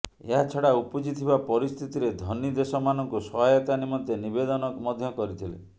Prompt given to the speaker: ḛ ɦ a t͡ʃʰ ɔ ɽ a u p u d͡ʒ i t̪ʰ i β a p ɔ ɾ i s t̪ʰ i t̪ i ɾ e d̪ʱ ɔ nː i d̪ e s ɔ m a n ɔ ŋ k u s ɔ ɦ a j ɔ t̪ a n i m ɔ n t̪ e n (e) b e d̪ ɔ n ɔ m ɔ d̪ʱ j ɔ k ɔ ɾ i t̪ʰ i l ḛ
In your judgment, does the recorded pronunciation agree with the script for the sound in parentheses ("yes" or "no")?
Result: no